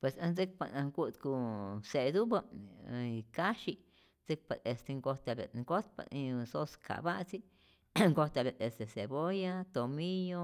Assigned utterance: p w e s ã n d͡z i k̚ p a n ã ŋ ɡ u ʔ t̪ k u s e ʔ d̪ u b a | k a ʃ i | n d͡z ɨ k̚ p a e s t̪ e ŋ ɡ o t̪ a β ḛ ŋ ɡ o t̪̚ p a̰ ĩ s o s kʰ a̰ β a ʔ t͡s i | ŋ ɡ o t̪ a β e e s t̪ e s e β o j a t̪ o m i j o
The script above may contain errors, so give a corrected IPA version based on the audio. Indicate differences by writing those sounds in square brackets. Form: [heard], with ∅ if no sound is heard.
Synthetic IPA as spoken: p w e s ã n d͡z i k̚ p a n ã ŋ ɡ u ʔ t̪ k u s e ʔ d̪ u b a | k a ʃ i | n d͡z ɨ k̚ p a e s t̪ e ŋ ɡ o t̪ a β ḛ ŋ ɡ o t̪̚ p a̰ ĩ s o s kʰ a̰ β a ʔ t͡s i | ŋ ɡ o t̪ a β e e s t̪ e s e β o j a t̪ o m i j o